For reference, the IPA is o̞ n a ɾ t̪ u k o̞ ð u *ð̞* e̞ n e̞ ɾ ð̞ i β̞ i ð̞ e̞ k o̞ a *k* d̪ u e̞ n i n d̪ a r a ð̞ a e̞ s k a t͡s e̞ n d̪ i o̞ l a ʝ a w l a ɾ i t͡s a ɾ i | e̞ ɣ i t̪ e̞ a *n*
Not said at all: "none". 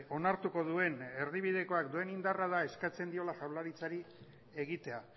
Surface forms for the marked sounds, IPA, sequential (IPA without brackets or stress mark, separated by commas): none, k, none